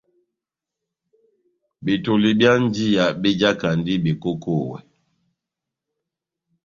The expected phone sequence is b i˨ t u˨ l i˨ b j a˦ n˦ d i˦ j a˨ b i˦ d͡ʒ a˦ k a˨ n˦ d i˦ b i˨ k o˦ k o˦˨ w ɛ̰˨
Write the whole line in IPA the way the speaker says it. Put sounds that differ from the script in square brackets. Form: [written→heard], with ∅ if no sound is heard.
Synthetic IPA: b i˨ t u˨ l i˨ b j a˦ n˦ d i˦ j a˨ b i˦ d͡ʒ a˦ k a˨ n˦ d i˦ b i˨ k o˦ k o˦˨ w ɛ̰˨